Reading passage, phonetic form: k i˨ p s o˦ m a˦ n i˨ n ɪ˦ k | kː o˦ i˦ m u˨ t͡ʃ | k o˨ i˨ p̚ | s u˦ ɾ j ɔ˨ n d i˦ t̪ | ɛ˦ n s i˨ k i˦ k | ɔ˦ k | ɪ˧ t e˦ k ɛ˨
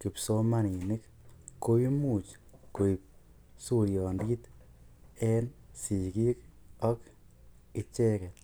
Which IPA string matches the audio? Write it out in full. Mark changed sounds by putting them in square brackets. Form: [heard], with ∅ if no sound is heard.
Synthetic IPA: k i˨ p s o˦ m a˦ n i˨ n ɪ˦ k | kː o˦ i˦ m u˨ t͡ʃ | k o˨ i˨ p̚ | s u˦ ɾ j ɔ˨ n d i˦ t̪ | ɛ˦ n s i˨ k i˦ k | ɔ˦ k | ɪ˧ [t͡ʃ] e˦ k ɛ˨